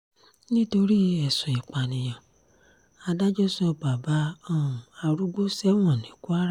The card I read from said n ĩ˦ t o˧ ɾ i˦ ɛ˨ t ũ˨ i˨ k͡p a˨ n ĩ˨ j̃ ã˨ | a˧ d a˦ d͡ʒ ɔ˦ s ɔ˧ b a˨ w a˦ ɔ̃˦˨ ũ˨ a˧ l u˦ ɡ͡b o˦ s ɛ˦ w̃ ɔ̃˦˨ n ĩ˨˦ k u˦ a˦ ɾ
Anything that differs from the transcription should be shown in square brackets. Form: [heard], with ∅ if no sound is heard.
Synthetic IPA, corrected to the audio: n ĩ˦ t o˧ ɾ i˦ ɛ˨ [s] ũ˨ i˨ k͡p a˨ n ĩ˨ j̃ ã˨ | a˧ d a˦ d͡ʒ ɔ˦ s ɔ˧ b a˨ [b] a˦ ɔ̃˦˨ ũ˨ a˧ [ɾ] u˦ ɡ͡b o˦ s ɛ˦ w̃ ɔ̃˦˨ n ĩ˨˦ k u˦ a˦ ɾ

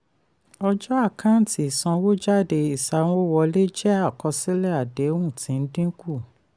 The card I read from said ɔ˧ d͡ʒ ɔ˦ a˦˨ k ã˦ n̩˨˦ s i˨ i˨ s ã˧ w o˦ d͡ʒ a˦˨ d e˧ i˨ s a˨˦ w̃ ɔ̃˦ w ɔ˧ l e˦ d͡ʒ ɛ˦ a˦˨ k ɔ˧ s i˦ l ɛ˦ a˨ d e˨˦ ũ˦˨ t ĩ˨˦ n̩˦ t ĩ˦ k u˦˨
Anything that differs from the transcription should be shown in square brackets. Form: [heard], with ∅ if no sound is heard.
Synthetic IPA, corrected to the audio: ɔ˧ d͡ʒ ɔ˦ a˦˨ k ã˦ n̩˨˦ [t] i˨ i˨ s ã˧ w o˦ d͡ʒ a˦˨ d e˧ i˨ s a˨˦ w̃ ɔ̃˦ w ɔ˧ l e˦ d͡ʒ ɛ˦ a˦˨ k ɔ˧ s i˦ l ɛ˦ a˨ d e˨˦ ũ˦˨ t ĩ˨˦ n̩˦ [d] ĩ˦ k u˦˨

